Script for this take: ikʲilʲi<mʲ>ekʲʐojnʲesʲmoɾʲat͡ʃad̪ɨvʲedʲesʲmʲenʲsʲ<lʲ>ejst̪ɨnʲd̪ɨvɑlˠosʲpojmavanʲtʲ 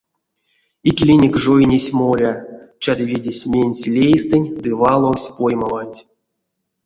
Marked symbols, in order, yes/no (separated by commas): no, yes